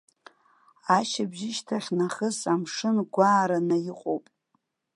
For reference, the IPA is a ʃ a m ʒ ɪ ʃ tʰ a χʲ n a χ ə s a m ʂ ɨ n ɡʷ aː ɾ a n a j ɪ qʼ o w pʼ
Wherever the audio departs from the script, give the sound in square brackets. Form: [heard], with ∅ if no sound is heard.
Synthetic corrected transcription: a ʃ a [b] ʒ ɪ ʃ tʰ a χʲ n a χ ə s a m ʂ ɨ n ɡʷ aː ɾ a n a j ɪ qʼ o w pʼ